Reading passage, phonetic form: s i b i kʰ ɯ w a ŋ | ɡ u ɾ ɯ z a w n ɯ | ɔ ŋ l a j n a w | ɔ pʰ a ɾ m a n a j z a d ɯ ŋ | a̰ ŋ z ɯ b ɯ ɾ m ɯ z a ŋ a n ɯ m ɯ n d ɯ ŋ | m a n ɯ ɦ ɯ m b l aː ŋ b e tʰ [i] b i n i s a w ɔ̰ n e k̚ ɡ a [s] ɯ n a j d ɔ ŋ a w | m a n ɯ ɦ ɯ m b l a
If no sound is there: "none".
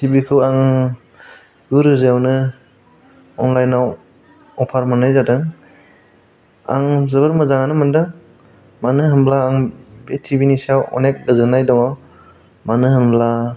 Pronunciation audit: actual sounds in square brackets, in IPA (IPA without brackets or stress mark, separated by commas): i, z